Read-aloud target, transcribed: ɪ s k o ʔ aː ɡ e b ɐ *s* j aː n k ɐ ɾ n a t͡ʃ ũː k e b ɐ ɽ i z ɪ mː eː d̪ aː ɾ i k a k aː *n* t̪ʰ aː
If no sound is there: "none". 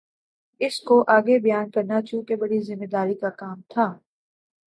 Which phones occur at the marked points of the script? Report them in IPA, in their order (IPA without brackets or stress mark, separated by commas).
none, m